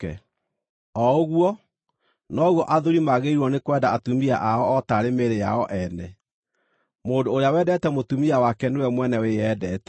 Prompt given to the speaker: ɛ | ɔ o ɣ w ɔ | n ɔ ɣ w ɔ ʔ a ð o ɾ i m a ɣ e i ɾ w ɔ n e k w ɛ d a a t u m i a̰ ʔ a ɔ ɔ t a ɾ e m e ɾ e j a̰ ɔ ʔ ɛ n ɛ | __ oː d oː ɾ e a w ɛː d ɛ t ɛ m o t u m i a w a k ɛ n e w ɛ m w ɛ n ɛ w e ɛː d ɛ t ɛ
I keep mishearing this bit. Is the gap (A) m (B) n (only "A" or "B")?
A